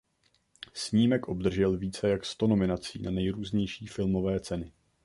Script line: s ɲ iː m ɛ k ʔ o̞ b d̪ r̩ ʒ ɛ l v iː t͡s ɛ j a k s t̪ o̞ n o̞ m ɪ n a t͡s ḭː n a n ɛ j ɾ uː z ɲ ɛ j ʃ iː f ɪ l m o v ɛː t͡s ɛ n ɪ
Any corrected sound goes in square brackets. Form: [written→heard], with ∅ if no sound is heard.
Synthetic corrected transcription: s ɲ iː m ɛ k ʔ o̞ b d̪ r̩ ʒ ɛ l v iː t͡s ɛ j a k s t̪ o̞ n o̞ m ɪ n a t͡s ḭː n a n ɛ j ɾ uː z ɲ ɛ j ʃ iː f ɪ l m o v ɛː t͡s ɛ n ɪ